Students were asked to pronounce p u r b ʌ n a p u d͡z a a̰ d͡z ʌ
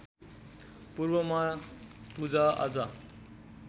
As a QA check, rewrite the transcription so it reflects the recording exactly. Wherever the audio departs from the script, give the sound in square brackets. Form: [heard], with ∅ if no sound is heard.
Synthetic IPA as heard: p u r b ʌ [m] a p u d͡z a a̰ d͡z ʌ